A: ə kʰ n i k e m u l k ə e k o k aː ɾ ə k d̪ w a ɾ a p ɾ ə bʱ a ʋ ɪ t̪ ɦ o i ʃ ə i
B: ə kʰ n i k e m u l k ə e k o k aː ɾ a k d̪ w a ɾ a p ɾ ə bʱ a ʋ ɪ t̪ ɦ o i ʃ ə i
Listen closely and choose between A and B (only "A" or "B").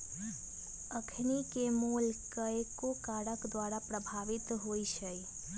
A